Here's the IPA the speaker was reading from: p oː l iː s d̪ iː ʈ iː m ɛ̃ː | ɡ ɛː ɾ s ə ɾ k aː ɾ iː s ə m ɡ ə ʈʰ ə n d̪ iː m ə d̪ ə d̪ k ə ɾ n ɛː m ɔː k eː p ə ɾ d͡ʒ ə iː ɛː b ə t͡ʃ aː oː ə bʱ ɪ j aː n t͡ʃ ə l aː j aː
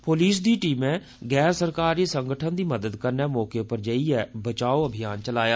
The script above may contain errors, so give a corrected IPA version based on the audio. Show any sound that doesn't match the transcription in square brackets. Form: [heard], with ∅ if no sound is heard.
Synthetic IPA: p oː l iː s d̪ iː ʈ iː m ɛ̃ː | ɡ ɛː ɾ s ə ɾ k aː ɾ iː s ə [ŋ] ɡ ə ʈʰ ə n d̪ iː m ə d̪ ə d̪ k ə ɾ n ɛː m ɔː k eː p ə ɾ d͡ʒ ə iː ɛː b ə t͡ʃ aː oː ə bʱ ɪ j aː n t͡ʃ ə l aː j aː

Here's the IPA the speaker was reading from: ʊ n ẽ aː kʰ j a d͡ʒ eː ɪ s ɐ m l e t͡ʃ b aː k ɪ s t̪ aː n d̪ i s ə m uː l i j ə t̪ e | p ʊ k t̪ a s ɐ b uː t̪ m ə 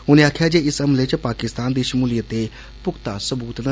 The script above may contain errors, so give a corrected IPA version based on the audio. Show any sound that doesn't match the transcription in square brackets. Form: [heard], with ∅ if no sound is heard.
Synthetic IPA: ʊ n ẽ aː kʰ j a d͡ʒ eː ɪ s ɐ m l e t͡ʃ [p] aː k ɪ s t̪ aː n d̪ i [ʃ] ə m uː l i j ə t̪ e | p ʊ k t̪ a s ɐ b uː t̪ [n] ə

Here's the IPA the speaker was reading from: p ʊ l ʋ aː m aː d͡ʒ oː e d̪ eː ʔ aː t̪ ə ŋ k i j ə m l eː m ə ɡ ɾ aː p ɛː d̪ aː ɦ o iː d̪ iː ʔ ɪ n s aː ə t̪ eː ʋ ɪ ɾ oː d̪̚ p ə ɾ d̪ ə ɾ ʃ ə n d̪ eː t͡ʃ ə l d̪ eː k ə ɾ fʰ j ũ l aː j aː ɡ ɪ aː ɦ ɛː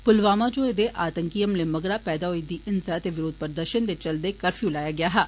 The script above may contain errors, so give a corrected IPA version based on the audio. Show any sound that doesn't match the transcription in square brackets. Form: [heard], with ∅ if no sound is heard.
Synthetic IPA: p ʊ l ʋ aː m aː d͡ʒ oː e d̪ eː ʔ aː t̪ ə ŋ k i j ə m l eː m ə ɡ ɾ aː p ɛː d̪ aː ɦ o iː d̪ iː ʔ ɪ n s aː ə t̪ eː ʋ ɪ ɾ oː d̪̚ p ə ɾ d̪ ə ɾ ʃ ə n d̪ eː t͡ʃ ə l d̪ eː k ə ɾ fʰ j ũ l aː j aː ɡ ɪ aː ɦ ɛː

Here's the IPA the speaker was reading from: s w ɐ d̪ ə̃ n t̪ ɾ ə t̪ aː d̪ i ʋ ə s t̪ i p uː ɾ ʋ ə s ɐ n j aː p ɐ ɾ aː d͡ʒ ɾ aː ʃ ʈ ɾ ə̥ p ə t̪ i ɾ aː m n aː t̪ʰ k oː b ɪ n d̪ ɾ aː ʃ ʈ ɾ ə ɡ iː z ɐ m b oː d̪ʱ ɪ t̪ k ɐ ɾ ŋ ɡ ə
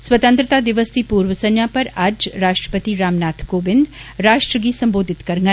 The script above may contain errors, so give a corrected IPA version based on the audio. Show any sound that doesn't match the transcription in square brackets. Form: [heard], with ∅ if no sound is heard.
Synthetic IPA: s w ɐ [t̪] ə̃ n t̪ ɾ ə t̪ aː d̪ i ʋ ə s t̪ i p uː ɾ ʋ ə s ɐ n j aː p ɐ ɾ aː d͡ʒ ɾ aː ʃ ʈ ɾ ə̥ p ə t̪ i ɾ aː m n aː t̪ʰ k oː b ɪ n d̪ ɾ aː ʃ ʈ ɾ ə ɡ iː [s] ɐ m b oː d̪ʱ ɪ t̪ k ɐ ɾ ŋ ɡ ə

